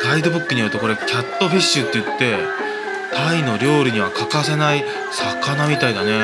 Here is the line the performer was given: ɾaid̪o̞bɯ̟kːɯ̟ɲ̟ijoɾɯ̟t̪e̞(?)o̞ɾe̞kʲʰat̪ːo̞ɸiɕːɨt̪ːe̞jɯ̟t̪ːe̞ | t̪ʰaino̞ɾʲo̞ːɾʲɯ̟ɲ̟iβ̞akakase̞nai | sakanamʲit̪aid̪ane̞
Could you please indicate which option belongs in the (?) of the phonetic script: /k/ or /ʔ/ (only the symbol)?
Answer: k